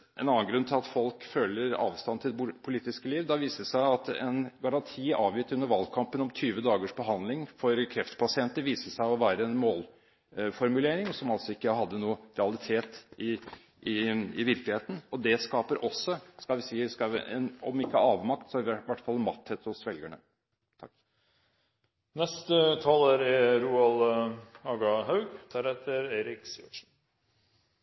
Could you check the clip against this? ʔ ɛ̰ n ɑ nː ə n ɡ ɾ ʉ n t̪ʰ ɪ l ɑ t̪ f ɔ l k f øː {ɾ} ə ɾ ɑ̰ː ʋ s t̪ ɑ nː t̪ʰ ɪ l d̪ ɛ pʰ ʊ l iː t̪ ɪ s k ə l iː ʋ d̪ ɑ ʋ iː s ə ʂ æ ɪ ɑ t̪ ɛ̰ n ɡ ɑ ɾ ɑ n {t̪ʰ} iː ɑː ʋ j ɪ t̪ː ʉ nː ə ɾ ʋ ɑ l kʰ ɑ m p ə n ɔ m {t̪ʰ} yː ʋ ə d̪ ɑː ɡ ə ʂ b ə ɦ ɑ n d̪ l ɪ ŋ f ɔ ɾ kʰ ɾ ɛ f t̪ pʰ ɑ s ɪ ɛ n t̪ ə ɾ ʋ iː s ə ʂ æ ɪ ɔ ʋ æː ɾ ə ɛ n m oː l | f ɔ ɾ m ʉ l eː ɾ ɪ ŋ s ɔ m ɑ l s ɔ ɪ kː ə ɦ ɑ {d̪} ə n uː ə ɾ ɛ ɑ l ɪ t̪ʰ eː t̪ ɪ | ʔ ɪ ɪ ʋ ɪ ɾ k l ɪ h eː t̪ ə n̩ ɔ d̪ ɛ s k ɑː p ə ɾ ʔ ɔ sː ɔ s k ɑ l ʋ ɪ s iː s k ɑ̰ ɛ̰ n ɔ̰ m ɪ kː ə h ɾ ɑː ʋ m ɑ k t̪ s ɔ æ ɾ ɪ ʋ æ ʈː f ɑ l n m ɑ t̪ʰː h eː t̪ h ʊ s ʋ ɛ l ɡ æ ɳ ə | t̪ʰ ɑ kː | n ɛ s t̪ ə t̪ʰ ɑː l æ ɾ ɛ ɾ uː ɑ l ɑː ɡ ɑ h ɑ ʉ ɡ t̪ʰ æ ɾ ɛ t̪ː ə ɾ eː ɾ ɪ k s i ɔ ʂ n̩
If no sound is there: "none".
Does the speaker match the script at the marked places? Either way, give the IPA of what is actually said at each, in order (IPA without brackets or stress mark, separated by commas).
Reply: l, t̪ʰ, t̪ʰ, d̪ː